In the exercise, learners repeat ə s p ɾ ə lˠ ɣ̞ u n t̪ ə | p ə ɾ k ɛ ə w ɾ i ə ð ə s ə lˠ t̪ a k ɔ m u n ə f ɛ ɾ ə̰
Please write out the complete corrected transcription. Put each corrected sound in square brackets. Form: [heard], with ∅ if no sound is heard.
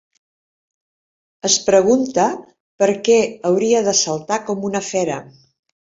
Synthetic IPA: ə s p ɾ ə [∅] ɣ̞ u n t̪ ə | p ə ɾ k ɛ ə w ɾ i ə ð ə s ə lˠ t̪ a k ɔ m u n ə f ɛ ɾ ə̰

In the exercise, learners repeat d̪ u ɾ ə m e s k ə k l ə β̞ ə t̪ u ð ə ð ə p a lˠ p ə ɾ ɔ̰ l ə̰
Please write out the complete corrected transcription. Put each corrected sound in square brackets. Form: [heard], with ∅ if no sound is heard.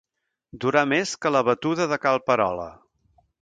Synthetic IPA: d̪ u ɾ [a] m e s k ə [∅] l ə β̞ ə t̪ u ð ə ð ə [k] a lˠ p ə ɾ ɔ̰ l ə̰

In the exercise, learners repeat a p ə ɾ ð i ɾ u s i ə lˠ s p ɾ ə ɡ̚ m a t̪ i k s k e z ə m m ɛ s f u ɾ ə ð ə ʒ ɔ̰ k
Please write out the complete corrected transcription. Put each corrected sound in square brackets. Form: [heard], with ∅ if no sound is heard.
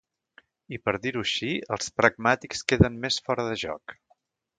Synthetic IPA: [i] p ə ɾ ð i ɾ u [ʃ] i ə lˠ s p ɾ ə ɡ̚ m a t̪ i k s k e [ð] ə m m [e] s f [ɔ] ɾ ə ð ə ʒ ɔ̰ k

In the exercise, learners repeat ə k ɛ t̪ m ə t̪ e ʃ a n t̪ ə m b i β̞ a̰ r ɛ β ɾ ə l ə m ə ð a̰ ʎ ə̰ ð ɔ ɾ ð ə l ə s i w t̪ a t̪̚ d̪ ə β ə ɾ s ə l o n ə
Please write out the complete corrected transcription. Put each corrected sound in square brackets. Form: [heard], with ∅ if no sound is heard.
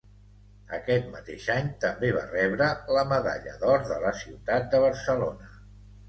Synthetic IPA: ə k ɛ t̪ m ə t̪ e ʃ a [ɲ] t̪ ə m b [e] β̞ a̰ r ɛ β ɾ ə l ə m ə ð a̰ ʎ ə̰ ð ɔ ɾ ð ə l ə s i w t̪ a t̪̚ d̪ ə β ə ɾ s ə l o n ə

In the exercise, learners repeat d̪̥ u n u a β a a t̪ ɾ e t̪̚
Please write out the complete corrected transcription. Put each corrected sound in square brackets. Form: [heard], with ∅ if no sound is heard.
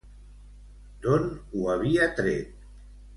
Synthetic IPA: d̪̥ [o] n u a β [i] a t̪ ɾ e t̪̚

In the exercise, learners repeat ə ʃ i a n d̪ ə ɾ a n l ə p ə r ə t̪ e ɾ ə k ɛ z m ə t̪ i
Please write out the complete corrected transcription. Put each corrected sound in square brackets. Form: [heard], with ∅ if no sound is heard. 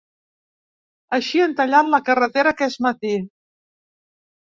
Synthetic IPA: ə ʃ i [ə] n [t̪] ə [ʎ] a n l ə [k] ə r ə t̪ e ɾ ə k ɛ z m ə t̪ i

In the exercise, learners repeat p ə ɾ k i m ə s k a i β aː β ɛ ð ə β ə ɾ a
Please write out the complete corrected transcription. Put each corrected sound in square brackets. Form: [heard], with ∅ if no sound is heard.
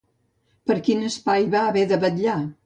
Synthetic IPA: p ə ɾ k i [n] ə s [p] a [j] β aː β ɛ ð ə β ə [ʎ] a

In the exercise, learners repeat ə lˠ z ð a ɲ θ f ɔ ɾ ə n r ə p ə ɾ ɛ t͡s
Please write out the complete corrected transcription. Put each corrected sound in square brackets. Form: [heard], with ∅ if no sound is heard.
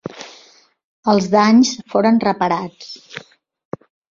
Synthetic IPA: ə lˠ z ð a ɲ [s] f [o] ɾ ə n r ə p ə ɾ [a] t͡s

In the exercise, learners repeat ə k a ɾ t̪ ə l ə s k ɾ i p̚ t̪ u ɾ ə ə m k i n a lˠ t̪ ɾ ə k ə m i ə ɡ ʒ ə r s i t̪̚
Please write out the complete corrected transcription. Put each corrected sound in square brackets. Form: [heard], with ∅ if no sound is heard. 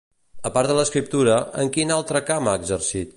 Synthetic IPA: ə [p] a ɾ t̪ ə l ə s k ɾ i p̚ t̪ u ɾ ə ə [ŋ] k i n a lˠ t̪ ɾ ə k [a] m [a] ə ɡ [z] ə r s i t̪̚

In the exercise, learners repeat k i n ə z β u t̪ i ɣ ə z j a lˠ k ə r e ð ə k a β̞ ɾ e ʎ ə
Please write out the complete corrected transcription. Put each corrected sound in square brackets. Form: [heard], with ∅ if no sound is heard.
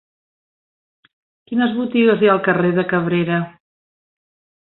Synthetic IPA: k i n ə z β u t̪ i ɣ ə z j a lˠ k ə r e ð ə k [ə] β̞ ɾ e [ɾ] ə

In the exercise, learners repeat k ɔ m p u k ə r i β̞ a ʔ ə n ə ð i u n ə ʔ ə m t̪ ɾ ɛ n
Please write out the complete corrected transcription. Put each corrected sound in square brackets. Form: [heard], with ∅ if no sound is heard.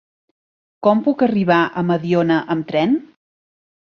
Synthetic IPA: k ɔ m p u k ə r i β̞ a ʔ ə [m] ə ð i [o] n ə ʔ ə m t̪ ɾ ɛ n

